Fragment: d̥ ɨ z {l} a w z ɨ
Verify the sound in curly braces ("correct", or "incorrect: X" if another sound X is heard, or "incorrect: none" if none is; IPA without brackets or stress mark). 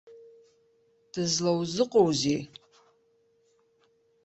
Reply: correct